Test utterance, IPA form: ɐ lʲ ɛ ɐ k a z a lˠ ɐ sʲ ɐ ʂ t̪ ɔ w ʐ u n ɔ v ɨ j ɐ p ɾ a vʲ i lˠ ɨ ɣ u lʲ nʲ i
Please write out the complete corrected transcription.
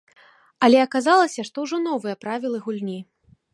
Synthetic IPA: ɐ lʲ ɛ ɐ k a z a lˠ ɐ sʲ ɐ ʂ t̪ ɔ w ʐ ɔ n ɔ v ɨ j ɐ p ɾ a vʲ i lˠ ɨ ɣ u lʲ nʲ i